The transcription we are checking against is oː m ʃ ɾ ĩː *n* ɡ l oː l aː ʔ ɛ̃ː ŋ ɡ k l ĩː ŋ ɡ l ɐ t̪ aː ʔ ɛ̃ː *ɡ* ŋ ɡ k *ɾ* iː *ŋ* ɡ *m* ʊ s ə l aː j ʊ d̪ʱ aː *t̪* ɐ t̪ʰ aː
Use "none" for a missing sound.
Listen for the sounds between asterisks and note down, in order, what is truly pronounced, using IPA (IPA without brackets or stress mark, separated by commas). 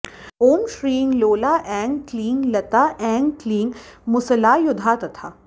ŋ, none, l, ŋ, m, t̪